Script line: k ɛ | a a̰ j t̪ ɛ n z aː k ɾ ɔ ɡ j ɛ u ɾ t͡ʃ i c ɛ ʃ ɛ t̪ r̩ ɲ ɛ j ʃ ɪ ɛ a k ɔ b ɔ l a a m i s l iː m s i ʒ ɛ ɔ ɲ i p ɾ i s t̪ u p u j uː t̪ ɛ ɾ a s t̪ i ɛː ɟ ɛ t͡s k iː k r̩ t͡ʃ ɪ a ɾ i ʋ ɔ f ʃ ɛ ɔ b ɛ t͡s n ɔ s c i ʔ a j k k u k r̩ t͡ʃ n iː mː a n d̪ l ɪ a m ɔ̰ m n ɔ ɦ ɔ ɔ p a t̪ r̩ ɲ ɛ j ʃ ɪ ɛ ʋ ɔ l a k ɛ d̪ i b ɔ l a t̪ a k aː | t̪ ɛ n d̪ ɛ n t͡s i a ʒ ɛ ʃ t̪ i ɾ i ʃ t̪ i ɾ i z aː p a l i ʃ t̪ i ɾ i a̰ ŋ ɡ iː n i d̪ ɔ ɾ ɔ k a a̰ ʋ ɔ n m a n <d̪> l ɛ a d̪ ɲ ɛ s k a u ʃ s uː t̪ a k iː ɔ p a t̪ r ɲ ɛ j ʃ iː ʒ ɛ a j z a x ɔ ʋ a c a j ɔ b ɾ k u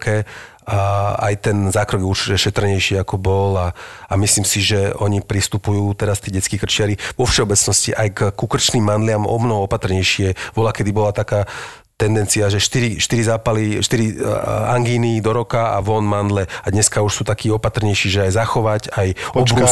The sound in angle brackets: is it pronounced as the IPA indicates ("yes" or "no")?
yes